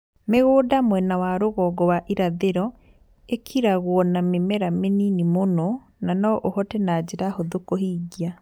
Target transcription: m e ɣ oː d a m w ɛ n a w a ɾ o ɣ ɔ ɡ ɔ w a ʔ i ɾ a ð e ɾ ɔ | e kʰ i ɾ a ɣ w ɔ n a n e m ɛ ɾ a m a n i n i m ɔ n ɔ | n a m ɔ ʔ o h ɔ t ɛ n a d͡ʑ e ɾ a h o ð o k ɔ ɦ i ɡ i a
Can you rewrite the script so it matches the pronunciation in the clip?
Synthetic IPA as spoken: m e ɣ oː d a m w ɛ n a w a ɾ o ɣ ɔ ɡ ɔ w a ʔ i ɾ a ð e ɾ ɔ | e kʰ i ɾ a ɣ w ɔ n a m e m ɛ ɾ a m e n i n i m o n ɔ | n a n ɔ ʔ o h ɔ t ɛ n a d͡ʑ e ɾ a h o ð o k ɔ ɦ i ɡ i a